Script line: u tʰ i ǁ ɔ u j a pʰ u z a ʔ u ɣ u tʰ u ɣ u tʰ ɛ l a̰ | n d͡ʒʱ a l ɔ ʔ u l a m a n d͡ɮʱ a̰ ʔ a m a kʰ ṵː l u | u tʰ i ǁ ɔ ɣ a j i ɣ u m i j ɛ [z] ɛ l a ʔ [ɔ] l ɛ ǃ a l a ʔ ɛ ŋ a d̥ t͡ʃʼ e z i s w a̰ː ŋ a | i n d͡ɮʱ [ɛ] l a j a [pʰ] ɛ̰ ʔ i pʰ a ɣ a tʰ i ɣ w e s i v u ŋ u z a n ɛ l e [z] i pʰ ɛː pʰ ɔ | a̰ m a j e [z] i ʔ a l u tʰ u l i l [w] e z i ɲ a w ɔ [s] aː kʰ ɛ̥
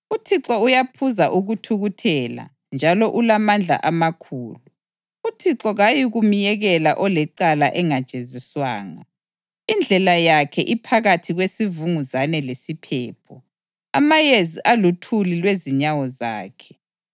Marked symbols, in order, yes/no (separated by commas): no, yes, yes, no, no, yes, yes, no